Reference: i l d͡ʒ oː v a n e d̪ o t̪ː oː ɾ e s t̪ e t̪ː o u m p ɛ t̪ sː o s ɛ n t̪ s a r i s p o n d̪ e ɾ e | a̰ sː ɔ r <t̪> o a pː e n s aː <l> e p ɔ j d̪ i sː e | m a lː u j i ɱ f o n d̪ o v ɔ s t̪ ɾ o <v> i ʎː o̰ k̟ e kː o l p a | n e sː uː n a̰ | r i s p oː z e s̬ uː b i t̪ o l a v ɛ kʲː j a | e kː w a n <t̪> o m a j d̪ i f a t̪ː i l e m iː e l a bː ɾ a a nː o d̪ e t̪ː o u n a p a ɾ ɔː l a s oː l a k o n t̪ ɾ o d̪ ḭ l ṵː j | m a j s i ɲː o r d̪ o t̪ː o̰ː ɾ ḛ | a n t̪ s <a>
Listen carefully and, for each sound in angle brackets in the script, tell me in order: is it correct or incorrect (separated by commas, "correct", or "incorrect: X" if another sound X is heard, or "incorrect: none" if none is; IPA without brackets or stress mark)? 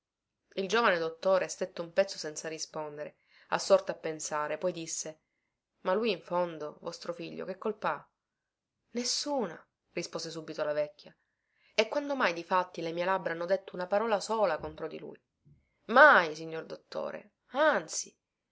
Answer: correct, incorrect: ɾ, incorrect: f, incorrect: d̪, incorrect: i